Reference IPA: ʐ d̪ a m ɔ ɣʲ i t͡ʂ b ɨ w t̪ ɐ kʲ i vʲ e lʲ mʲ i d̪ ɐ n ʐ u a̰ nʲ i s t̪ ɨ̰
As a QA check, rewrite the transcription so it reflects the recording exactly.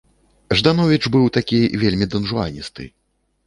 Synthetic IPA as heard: ʐ d̪ a n ɔ vʲ i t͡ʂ b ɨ w t̪ a kʲ i vʲ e lʲ mʲ i d̪ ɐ n ʐ u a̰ nʲ i s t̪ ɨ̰